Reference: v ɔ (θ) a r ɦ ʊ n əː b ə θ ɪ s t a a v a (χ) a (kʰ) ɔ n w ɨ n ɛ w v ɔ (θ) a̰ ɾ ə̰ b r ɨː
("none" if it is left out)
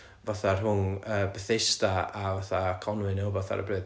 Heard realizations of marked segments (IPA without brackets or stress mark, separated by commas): θ, θ, kʰ, θ